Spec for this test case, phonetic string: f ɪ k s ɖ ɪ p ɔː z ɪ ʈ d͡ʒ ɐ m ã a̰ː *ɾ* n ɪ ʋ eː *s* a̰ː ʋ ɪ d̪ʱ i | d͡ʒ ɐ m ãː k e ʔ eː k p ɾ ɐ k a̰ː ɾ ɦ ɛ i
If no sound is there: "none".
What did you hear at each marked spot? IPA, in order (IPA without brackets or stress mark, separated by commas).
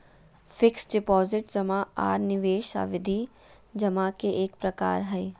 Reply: ɾ, ʃ